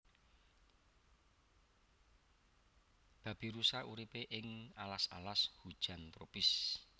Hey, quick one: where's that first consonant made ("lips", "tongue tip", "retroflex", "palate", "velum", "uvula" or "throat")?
lips